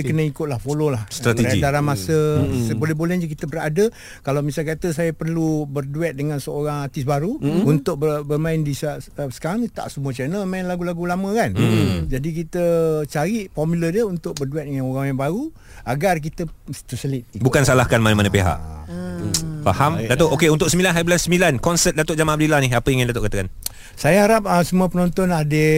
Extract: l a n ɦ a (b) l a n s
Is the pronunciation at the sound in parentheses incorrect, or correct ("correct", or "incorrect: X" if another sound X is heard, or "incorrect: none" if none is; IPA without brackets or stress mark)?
correct